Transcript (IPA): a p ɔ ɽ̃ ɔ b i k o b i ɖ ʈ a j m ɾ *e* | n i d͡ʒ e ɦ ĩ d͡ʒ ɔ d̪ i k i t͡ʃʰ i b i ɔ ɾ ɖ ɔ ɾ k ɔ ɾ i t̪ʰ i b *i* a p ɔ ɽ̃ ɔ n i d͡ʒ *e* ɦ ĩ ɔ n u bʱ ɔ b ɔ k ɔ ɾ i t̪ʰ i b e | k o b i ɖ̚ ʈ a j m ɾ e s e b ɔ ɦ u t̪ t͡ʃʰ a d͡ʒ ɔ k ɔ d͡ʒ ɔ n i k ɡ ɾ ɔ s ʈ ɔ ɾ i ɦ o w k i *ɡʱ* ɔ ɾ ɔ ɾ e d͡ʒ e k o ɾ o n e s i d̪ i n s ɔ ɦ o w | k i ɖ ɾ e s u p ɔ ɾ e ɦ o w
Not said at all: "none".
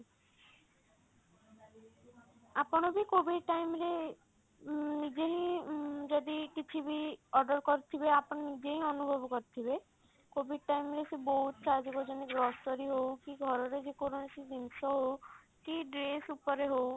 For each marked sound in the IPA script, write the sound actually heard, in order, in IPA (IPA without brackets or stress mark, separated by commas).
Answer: e, e, e, ɡʱ